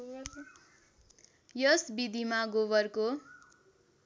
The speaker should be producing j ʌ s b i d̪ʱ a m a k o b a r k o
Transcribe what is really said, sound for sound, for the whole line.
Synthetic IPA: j ʌ s b i d̪ʱ i m a ɡ o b ʌ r k o